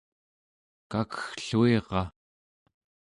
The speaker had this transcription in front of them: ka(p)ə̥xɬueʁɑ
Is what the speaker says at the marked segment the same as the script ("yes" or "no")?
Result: no